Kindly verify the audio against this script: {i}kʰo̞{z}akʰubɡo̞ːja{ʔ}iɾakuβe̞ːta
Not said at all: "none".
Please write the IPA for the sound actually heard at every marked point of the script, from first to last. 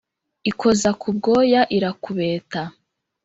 i, z, ʔ

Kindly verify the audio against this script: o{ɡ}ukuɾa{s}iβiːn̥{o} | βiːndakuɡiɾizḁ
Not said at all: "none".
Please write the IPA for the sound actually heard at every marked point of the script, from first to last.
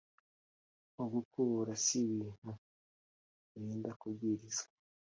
ɡ, s, u

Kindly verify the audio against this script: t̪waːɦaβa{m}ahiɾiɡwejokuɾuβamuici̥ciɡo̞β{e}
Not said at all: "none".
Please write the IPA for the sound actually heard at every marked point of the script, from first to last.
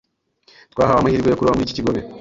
m, e

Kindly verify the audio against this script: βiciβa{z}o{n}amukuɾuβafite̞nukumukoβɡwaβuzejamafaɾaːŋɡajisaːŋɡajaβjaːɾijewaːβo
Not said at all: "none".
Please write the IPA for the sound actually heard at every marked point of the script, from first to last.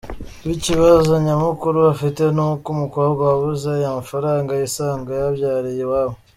z, ɲ

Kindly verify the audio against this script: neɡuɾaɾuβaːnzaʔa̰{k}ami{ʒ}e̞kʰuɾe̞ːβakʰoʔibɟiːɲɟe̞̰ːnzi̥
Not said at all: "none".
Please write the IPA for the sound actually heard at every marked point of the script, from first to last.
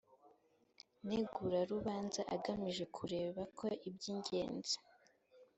ɡ, ʒ

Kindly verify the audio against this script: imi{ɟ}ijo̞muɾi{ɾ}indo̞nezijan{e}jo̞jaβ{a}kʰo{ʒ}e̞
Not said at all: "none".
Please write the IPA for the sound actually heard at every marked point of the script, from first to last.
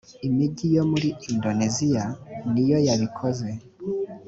ɟ, none, i, i, z

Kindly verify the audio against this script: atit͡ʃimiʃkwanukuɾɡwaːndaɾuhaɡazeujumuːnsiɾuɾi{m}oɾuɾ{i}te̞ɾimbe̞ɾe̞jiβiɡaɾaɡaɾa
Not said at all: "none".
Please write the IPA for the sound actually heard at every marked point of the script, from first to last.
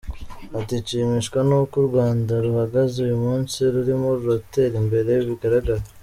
m, a

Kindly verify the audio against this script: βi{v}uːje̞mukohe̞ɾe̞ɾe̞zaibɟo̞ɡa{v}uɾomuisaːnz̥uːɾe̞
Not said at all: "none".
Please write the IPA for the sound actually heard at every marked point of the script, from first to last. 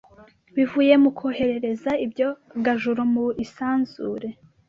v, ʒ

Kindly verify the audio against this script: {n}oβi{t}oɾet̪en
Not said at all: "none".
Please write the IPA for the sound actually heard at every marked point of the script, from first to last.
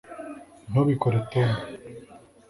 n, k

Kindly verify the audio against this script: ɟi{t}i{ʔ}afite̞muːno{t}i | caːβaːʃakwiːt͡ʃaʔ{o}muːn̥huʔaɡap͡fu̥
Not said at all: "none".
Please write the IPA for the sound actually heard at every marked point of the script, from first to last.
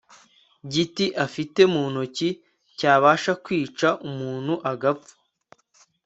t, ʔ, c, u

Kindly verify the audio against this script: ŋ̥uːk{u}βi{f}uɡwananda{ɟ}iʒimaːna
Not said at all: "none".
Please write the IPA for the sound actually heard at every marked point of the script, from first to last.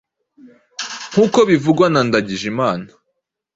o, v, ɟ

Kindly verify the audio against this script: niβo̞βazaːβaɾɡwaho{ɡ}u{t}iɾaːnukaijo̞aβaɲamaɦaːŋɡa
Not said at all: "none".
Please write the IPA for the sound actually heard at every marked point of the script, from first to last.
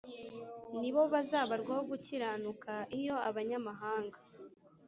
ɡ, c

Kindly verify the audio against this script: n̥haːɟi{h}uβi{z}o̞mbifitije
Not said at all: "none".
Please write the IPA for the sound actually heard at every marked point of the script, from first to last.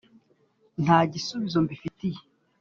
s, z

